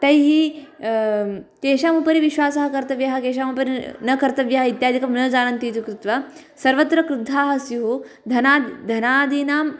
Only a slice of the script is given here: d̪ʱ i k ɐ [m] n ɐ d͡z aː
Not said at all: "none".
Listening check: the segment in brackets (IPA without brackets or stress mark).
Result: m